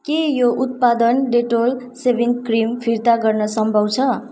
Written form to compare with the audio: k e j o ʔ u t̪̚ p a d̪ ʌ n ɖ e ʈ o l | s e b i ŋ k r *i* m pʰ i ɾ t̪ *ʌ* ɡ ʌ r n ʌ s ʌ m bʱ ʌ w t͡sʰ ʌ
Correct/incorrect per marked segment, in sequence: correct, incorrect

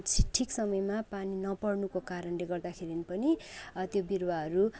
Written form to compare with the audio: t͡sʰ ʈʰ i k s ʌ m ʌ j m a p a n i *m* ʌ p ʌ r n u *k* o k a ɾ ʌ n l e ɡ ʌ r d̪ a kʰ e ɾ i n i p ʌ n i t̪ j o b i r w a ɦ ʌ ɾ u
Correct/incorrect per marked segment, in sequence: incorrect, correct

